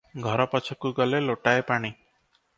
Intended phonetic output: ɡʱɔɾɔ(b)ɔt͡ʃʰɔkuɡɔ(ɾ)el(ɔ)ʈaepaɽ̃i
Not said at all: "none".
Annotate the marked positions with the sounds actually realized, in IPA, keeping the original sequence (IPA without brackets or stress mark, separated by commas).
p, l, o